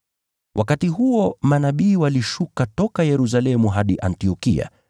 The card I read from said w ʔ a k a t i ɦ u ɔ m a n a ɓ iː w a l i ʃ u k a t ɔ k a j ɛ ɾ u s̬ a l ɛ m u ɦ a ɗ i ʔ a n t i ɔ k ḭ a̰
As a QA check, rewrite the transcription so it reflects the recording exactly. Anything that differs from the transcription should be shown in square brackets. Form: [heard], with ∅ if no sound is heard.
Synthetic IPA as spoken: w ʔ a k a t i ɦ u ɔ m a n a ɓ iː w a l i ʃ u k a t ɔ k a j ɛ ɾ u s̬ a l ɛ m u ɦ a ɗ i ʔ a n t i ɔ k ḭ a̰